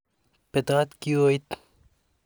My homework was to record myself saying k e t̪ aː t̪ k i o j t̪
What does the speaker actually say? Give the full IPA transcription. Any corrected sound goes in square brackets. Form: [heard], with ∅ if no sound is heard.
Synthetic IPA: [p] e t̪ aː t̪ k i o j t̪